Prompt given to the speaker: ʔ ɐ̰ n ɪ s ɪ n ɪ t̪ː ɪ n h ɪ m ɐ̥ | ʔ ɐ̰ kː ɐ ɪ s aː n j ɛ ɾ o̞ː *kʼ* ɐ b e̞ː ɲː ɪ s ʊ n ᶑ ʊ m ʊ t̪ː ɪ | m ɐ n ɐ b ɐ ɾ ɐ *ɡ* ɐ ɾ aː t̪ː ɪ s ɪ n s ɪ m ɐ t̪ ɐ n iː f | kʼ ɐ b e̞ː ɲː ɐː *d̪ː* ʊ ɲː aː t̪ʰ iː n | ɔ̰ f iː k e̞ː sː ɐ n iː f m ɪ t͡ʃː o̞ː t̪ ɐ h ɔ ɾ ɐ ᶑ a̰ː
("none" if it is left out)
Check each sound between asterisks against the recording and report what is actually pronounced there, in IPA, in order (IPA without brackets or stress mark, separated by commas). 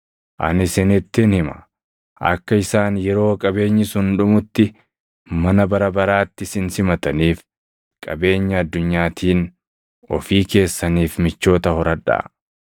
kʼ, b, d̪ː